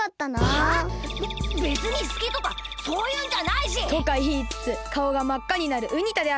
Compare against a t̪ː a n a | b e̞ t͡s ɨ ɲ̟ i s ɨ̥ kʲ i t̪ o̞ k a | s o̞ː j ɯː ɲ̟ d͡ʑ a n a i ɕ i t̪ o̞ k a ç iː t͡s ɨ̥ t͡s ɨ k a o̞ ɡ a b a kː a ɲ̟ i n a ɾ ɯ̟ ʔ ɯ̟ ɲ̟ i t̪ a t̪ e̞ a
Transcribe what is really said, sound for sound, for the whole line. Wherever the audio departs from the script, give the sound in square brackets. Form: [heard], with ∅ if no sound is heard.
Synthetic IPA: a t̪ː a n a | b e̞ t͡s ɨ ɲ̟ i s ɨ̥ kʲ i t̪ o̞ k a | s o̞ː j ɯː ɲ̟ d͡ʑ a n a i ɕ i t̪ o̞ k a ç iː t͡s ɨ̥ t͡s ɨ k a o̞ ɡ a [m] a kː a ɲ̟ i n a ɾ ɯ̟ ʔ ɯ̟ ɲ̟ i t̪ a [d̪] e̞ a